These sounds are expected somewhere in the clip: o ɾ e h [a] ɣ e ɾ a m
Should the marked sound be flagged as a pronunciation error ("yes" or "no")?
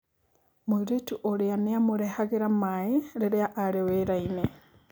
no